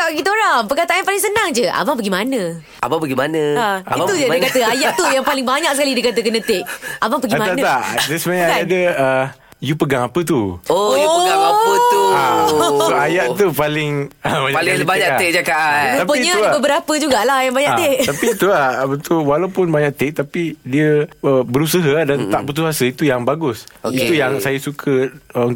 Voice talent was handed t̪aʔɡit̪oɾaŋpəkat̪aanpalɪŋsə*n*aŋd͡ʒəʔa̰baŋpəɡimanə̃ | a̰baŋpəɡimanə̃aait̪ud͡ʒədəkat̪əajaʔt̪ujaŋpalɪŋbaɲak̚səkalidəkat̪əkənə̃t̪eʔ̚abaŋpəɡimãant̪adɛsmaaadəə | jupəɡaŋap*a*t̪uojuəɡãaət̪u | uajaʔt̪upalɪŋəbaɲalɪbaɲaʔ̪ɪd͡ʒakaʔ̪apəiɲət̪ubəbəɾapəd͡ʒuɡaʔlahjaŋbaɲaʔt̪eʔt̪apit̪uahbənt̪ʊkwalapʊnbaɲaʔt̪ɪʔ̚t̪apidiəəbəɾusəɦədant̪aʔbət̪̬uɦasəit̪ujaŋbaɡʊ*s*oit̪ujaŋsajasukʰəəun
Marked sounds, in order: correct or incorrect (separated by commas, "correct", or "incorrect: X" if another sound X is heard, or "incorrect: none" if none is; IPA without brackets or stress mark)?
correct, incorrect: ə, correct